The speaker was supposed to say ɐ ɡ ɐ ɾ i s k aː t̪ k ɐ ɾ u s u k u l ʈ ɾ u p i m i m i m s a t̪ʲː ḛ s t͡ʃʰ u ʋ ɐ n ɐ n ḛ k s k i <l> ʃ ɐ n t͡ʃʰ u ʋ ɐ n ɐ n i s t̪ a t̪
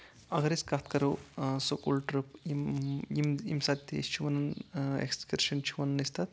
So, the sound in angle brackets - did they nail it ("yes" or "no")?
no